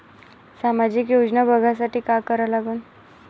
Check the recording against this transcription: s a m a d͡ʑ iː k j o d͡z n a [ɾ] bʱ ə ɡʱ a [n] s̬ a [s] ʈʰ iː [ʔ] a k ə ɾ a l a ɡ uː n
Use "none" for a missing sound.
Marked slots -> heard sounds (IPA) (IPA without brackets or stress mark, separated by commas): none, none, none, k